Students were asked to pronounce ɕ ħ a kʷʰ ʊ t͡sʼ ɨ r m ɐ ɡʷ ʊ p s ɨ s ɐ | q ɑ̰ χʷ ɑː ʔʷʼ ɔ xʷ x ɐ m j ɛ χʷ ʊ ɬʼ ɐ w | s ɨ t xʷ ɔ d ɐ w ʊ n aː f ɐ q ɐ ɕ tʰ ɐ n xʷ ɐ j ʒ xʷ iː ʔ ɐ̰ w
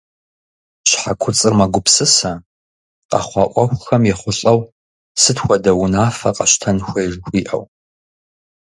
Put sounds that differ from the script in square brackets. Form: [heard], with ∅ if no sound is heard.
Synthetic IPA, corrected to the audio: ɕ ħ a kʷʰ ʊ t͡sʼ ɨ r m ɐ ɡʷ ʊ p s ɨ s ɐ | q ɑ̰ χʷ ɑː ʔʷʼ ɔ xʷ x ɐ m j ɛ χʷ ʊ ɬʼ ɐ w | s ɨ t xʷ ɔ d ɐ w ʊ n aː f ɐ q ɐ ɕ tʰ ɐ n xʷ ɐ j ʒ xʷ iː ʔ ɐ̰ w